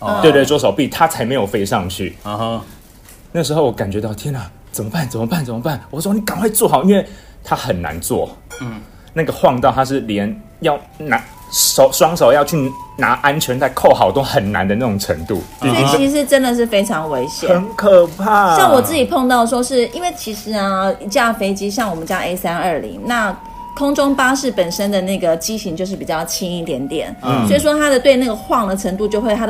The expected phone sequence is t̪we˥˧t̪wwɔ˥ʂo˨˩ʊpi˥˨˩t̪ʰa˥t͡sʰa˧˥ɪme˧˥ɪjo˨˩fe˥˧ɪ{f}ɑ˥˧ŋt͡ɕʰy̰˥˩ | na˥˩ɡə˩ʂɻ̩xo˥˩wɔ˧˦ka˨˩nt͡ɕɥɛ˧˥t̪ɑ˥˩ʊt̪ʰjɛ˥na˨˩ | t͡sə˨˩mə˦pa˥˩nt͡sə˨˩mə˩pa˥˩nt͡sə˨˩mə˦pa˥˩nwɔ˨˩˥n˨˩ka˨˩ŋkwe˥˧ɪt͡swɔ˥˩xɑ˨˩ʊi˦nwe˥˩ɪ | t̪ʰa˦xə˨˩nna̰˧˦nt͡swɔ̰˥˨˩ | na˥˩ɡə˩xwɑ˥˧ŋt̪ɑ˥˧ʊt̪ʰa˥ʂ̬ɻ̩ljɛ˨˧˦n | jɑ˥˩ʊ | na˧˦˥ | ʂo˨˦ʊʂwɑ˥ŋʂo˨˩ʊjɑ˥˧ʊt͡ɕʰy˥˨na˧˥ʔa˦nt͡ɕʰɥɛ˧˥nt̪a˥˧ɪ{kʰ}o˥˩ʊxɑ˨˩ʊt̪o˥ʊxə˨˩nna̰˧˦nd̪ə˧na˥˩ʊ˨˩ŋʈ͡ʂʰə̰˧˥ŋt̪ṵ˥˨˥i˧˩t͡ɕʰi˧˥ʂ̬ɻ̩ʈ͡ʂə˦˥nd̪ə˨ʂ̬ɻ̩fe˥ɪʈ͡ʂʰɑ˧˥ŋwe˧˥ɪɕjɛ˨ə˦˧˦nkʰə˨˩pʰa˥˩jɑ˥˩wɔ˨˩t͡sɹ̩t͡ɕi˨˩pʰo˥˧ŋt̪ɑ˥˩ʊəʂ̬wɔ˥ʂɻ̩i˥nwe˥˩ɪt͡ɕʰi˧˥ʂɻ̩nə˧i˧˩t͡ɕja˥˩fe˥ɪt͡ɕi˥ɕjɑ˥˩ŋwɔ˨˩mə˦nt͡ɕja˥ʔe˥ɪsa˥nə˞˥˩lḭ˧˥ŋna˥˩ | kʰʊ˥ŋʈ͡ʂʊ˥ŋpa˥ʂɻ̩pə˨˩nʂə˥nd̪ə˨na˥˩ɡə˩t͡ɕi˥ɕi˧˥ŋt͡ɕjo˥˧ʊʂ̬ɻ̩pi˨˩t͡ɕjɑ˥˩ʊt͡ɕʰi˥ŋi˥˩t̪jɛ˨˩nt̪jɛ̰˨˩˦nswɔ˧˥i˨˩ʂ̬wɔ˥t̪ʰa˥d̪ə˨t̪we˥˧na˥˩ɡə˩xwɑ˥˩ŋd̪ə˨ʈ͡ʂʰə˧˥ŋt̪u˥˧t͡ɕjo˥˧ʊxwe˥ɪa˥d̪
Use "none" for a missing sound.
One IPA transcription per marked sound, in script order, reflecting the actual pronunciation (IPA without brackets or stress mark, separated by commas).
ʂ, kʰ